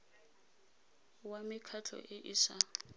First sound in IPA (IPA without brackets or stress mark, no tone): w